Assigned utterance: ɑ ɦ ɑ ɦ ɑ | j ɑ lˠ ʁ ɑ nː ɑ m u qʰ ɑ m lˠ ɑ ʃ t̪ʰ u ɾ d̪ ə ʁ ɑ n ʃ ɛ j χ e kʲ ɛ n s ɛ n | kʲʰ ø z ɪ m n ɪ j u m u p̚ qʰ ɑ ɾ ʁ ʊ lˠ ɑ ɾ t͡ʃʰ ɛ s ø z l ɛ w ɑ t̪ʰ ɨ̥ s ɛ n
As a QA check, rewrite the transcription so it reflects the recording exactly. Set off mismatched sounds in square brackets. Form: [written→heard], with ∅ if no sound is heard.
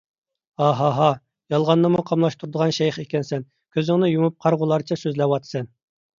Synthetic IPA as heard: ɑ ɦ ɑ ɦ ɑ | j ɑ lˠ ʁ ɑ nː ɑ m u qʰ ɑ m lˠ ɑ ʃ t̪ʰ u ɾ d̪ ə ʁ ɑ n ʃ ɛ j χ e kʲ ɛ n s ɛ n | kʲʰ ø z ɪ [m→ŋ] n ɪ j u m u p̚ qʰ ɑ ɾ ʁ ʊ lˠ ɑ ɾ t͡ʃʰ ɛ s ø z l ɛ w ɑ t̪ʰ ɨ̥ s ɛ n